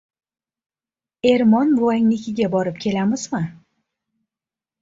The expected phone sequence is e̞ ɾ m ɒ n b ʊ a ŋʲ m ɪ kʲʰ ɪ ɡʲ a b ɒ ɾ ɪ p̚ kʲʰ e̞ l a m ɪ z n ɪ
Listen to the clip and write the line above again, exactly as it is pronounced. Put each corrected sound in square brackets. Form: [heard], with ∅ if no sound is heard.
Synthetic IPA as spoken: e̞ ɾ m ɒ n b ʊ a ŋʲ [n] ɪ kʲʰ ɪ ɡʲ a b ɒ ɾ ɪ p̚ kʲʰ e̞ l a m ɪ z [m] ɪ